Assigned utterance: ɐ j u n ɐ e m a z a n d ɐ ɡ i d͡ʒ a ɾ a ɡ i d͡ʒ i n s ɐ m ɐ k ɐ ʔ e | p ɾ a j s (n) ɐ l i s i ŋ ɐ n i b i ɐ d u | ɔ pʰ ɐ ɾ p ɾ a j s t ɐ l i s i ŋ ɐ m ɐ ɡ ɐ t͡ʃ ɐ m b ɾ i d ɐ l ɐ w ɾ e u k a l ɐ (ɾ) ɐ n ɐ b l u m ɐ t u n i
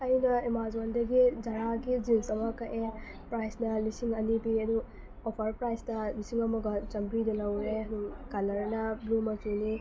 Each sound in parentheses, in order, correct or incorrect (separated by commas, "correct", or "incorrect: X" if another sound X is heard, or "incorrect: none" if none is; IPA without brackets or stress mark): correct, correct